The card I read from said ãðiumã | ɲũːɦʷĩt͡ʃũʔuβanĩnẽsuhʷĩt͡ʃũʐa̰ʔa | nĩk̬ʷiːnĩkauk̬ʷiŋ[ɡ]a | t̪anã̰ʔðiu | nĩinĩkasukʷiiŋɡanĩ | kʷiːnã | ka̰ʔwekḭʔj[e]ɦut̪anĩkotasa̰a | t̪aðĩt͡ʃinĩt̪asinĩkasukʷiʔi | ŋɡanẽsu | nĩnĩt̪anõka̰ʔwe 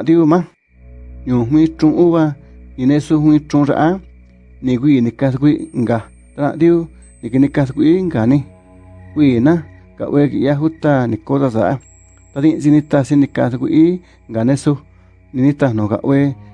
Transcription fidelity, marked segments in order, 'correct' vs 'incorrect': correct, incorrect: a

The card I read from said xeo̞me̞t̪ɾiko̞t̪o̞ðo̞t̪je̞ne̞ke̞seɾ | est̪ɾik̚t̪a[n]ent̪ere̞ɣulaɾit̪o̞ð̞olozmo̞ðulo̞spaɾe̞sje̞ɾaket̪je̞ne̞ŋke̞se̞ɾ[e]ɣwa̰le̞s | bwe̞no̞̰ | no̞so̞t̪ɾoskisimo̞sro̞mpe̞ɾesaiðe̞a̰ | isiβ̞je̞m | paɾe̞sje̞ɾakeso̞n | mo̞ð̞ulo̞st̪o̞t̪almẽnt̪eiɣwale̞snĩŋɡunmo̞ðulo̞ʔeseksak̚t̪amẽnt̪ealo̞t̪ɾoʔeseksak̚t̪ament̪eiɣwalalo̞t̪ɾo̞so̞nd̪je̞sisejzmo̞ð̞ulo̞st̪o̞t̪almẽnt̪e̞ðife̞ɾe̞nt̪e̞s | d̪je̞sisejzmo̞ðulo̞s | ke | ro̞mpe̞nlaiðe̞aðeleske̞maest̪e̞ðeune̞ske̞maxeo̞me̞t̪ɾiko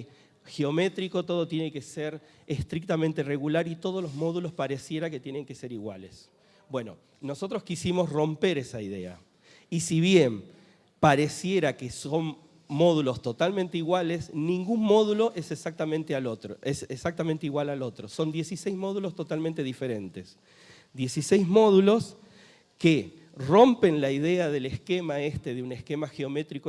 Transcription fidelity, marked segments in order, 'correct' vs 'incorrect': incorrect: m, incorrect: i

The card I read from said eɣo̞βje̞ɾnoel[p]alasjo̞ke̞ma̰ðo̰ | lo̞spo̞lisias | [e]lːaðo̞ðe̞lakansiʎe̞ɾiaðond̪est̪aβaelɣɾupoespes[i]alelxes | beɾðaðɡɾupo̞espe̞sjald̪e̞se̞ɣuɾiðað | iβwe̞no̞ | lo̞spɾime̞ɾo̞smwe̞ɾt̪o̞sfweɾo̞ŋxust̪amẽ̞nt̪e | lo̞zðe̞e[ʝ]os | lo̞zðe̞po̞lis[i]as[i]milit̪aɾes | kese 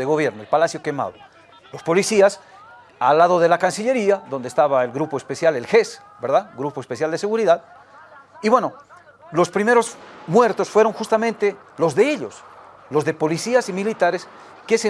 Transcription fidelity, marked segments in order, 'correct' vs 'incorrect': correct, incorrect: a, incorrect: j, incorrect: ʎ, correct, correct

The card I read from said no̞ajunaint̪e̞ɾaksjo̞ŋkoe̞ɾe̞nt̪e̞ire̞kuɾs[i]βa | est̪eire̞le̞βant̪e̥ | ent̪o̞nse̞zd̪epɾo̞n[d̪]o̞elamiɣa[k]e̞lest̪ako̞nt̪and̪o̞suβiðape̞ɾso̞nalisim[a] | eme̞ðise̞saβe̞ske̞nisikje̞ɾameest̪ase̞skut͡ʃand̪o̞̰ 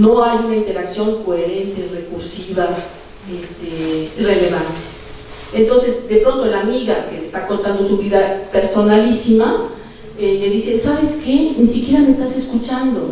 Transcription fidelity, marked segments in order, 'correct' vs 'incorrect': correct, incorrect: t̪, correct, correct

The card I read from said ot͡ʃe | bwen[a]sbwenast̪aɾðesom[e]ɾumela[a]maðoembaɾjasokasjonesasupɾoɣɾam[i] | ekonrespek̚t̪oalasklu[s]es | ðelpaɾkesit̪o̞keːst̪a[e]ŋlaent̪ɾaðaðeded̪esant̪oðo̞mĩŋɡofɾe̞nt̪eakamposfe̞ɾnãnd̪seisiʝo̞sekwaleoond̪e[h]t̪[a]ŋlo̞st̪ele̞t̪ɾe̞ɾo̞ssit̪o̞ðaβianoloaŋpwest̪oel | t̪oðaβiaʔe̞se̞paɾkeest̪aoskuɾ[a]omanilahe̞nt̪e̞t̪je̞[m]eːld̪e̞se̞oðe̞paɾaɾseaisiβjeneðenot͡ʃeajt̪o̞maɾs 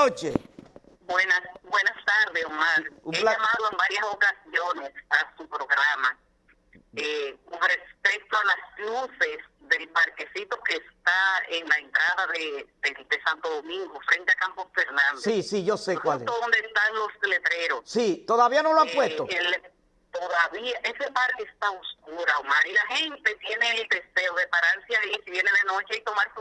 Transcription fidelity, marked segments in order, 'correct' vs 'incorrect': correct, incorrect: a, correct, incorrect: a, correct, correct, incorrect: s, correct, correct, incorrect: n

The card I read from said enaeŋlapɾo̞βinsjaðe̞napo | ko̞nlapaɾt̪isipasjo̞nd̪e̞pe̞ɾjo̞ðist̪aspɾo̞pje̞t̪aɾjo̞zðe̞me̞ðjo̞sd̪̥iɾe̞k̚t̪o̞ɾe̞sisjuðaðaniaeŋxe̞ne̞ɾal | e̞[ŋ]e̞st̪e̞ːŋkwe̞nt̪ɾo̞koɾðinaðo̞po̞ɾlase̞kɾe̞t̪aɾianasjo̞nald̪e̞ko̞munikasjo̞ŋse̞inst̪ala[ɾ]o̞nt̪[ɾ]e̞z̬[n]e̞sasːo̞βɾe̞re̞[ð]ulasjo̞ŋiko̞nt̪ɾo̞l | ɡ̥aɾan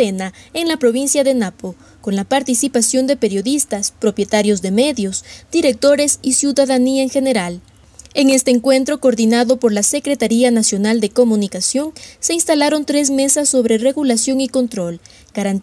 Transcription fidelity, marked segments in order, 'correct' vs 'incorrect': correct, correct, correct, incorrect: m, incorrect: ɣ

